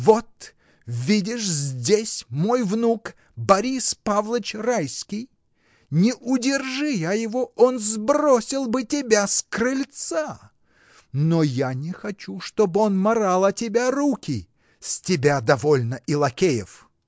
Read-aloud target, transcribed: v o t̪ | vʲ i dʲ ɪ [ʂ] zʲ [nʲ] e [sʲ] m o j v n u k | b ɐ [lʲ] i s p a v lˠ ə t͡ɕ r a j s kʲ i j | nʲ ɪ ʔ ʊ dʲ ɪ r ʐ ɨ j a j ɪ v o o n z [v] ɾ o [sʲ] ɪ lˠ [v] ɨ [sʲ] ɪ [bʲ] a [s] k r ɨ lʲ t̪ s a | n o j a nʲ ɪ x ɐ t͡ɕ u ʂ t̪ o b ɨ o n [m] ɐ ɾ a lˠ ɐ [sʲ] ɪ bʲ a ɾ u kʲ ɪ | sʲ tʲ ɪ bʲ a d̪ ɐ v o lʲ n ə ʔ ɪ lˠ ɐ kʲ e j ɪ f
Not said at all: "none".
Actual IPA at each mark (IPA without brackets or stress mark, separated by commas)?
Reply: ʂ, dʲ, sʲ, ɾʲ, b, sʲ, b, tʲ, bʲ, s, m, tʲ